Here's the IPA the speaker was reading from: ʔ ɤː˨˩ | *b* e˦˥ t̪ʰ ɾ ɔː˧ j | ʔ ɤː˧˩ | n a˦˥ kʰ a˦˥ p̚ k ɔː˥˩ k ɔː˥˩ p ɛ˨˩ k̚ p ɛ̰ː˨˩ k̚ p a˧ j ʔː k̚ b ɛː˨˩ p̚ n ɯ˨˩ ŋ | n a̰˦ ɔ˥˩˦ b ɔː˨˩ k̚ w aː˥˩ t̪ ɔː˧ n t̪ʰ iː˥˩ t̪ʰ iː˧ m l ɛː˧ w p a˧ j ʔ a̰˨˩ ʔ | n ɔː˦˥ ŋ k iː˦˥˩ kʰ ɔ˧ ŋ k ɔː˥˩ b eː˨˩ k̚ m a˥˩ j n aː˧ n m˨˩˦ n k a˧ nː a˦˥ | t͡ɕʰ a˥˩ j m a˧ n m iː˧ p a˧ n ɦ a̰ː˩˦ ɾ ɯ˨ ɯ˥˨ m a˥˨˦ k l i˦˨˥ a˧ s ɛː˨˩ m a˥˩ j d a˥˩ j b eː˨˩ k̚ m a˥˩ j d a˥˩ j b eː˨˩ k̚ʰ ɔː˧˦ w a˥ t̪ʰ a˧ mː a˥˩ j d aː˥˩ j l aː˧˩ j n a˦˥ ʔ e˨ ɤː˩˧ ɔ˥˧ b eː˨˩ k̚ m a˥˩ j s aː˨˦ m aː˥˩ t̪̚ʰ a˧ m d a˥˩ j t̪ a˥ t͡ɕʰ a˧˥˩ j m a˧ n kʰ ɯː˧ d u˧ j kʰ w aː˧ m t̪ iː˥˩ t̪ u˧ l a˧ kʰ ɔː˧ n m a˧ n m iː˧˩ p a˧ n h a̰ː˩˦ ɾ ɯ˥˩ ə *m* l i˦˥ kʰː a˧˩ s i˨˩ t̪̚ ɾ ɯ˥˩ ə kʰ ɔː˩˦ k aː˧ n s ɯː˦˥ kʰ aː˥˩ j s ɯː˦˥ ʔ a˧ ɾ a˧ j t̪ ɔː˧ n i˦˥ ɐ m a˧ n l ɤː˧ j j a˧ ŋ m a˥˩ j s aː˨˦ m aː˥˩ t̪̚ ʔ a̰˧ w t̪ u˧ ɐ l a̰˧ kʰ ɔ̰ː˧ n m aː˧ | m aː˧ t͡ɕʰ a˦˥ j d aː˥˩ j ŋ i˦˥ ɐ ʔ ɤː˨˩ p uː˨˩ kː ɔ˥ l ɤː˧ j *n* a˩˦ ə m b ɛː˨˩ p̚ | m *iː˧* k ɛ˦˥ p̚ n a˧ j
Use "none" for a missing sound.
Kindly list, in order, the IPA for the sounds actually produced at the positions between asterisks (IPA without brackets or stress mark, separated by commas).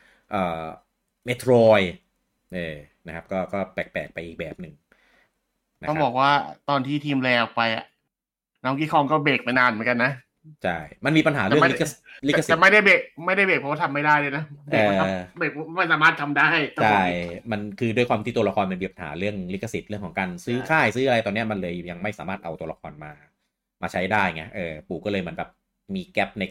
m, ŋ, m, iː˧